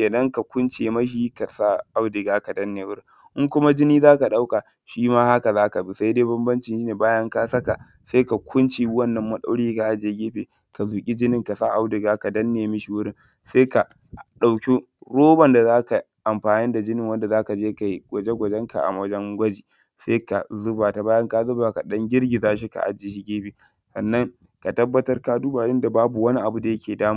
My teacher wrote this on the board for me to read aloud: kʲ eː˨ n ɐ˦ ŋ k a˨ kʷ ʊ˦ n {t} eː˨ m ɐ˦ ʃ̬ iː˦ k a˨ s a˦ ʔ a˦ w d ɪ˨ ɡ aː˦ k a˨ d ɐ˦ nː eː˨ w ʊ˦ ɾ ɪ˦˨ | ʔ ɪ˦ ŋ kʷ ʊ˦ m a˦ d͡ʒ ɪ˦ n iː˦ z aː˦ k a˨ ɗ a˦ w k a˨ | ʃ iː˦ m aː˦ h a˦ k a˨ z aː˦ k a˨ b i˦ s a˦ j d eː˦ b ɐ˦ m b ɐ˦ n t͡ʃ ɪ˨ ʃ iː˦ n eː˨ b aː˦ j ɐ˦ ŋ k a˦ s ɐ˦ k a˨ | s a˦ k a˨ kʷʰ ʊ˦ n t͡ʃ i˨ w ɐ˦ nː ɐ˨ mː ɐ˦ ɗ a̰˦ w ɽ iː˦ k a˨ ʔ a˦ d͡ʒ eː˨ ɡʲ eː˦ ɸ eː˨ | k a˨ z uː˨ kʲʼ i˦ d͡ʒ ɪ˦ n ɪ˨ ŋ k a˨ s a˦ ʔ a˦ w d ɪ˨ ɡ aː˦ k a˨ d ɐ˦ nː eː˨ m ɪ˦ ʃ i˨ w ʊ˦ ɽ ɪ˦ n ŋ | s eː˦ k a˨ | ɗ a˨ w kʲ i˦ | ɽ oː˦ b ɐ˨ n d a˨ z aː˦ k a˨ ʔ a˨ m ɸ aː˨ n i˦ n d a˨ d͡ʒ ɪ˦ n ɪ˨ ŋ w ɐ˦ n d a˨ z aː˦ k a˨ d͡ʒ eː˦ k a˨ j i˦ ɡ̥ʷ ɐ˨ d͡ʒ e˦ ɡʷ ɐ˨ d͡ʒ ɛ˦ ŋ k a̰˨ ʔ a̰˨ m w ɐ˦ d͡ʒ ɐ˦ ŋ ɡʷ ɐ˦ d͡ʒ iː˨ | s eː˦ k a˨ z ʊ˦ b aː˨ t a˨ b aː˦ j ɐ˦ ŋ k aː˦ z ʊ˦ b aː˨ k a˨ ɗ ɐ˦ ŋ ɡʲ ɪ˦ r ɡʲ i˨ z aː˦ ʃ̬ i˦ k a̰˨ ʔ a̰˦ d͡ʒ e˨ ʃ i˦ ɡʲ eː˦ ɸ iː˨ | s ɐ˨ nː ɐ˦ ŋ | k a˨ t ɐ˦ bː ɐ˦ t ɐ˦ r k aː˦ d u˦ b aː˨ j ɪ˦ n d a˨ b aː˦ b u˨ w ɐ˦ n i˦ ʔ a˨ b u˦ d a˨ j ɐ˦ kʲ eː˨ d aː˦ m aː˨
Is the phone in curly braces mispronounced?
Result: yes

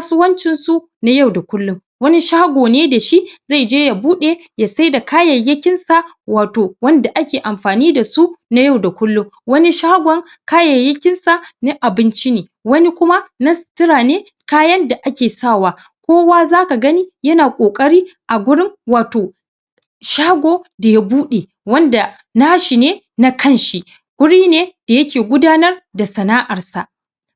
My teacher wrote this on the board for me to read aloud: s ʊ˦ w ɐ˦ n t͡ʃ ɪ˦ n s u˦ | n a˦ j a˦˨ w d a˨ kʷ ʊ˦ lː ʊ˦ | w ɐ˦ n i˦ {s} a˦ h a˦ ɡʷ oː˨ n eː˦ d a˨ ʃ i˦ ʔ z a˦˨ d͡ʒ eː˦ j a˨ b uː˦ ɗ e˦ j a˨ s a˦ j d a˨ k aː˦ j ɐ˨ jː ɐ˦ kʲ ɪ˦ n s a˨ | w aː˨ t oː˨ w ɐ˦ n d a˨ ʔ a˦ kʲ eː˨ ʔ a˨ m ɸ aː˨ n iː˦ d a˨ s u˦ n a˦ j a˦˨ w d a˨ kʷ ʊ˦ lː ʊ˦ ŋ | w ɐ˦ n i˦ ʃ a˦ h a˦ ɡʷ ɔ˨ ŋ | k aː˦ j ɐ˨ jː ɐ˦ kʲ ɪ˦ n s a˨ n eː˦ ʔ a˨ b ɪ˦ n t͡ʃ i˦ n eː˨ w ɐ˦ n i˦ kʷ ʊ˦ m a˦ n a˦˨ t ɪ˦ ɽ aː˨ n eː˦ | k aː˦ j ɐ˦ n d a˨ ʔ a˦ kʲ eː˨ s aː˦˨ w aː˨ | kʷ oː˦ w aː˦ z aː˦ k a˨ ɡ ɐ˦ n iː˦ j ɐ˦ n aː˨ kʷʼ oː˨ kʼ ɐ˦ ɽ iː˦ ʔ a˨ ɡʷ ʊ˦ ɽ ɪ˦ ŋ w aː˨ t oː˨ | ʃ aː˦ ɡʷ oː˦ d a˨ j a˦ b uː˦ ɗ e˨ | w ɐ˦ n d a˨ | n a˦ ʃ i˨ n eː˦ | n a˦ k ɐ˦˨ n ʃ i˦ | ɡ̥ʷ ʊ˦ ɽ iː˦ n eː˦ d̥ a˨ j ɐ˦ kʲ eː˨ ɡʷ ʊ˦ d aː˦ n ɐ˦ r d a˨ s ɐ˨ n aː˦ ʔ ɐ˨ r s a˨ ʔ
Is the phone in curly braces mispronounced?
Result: yes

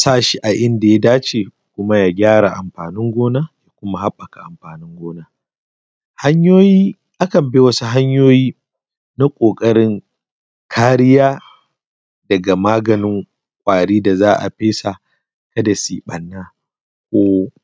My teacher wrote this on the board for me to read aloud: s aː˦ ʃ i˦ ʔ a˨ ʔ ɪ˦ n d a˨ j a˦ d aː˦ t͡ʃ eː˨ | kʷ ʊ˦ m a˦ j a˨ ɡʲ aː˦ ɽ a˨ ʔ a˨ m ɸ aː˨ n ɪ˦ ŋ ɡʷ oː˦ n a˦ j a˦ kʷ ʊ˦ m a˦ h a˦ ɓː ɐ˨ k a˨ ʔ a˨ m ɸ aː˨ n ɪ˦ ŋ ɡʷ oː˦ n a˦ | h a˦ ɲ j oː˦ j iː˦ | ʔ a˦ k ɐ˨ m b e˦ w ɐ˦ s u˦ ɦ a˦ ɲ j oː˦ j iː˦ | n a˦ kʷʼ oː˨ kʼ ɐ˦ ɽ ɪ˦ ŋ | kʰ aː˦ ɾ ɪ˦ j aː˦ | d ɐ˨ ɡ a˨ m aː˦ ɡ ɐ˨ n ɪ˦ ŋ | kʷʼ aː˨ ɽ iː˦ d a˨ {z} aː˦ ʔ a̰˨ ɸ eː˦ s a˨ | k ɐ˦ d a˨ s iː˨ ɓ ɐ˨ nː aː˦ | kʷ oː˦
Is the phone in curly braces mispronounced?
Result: no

